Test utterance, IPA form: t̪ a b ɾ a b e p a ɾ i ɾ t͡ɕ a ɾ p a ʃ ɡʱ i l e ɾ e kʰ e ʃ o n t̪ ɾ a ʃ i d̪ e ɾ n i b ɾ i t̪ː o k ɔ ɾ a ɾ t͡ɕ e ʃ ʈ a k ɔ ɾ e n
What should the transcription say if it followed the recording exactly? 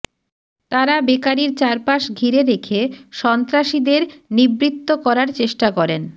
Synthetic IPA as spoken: t̪ a ɾ a b e k a ɾ i ɾ t͡ɕ a ɾ p a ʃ ɡʱ i ɾ e ɾ e kʰ e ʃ ɔ n t̪ ɾ a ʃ i d̪ e ɾ n i b ɾ i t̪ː o k ɔ ɾ a ɾ t͡ɕ e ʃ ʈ a k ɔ ɾ e n